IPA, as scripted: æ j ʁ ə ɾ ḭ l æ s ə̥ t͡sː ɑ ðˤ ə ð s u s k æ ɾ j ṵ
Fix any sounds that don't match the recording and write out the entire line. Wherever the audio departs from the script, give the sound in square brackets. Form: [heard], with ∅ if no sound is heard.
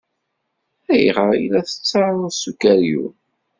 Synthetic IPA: æ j ʁ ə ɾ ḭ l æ [θ] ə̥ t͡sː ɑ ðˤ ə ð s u [∅] k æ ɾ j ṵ